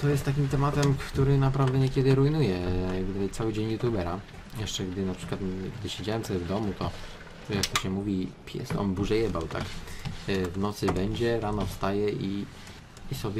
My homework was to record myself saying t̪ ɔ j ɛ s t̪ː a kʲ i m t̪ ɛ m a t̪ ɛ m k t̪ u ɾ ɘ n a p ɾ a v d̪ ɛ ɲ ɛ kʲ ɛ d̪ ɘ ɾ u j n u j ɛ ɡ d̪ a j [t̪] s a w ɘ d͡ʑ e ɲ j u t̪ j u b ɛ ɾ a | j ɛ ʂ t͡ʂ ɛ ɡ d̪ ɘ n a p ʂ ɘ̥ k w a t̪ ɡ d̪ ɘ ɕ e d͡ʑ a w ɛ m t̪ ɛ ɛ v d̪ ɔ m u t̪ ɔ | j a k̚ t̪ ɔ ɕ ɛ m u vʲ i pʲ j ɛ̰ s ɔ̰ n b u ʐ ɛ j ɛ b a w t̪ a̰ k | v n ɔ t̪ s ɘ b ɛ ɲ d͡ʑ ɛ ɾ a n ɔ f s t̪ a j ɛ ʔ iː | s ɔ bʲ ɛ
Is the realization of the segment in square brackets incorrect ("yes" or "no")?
no